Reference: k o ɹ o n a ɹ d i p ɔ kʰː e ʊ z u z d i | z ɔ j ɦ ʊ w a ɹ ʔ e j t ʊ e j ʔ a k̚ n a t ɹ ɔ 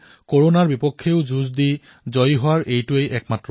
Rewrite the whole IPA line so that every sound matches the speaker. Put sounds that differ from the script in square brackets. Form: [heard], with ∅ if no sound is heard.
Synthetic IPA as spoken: k o ɹ o n a ɹ [b] i p ɔ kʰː e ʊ z u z d i | z ɔ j ɦ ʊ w a ɹ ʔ e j t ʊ e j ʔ [ɛ] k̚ [m] a t ɹ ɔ

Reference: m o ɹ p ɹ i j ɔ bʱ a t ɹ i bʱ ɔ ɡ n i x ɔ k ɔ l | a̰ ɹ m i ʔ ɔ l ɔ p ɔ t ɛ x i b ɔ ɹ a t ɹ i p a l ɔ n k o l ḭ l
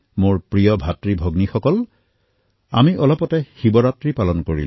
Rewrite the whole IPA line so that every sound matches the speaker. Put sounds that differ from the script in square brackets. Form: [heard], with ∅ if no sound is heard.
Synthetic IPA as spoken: m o ɹ p ɹ i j ɔ bʱ a t ɹ i bʱ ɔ ɡ n i x ɔ k ɔ l | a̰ [∅] m i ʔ ɔ l ɔ p ɔ t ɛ x i b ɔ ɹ a t ɹ i p a l ɔ n k o [ɹ] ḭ l

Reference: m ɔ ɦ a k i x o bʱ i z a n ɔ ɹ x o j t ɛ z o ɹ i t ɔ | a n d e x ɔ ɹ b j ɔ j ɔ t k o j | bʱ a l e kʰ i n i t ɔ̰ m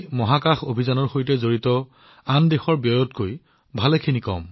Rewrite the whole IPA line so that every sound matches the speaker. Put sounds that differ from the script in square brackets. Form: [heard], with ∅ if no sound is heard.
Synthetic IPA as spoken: m ɔ ɦ a k [a] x o bʱ i z a n ɔ ɹ x o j t ɛ z o ɹ i t ɔ | a n d e x ɔ ɹ b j ɔ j ɔ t k o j | bʱ a l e kʰ i n i [k] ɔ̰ m

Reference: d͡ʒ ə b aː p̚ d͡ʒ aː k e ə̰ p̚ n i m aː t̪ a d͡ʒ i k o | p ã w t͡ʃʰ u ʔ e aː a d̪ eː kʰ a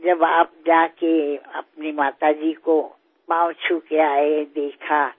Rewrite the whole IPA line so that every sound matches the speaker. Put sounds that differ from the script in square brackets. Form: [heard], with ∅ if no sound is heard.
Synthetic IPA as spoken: d͡ʒ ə b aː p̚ d͡ʒ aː k e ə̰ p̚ n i m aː t̪ a d͡ʒ i k o | p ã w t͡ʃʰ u [k] e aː [e] d̪ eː kʰ a

